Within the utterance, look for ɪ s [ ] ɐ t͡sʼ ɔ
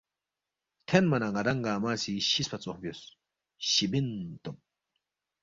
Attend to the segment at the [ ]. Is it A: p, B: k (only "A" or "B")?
A